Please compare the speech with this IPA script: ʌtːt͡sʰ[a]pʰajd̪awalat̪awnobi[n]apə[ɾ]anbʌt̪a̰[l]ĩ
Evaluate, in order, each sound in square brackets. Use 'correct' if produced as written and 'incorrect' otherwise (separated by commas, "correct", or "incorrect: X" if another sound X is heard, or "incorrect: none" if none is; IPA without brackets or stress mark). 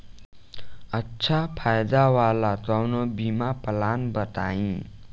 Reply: correct, incorrect: m, incorrect: l, incorrect: none